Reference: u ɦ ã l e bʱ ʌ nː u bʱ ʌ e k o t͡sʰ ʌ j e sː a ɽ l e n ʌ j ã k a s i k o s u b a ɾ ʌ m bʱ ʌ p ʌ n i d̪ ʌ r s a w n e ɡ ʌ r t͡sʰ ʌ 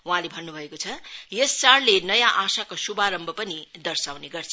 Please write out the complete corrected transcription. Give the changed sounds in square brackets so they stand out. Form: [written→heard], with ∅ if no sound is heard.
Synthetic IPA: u ɦ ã l e bʱ ʌ nː u bʱ ʌ e k o t͡sʰ ʌ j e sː a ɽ l e n ʌ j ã [k→ʔ] a s [i→a] k o s u b a ɾ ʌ m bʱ ʌ p ʌ n i d̪ ʌ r s a w n e ɡ ʌ r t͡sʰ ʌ